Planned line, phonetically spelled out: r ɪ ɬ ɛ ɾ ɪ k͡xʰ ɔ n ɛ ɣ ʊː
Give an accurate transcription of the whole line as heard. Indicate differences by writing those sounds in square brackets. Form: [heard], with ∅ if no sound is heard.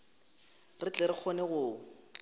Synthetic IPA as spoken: r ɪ [t͡ɬ] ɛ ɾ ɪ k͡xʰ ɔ n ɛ ɣ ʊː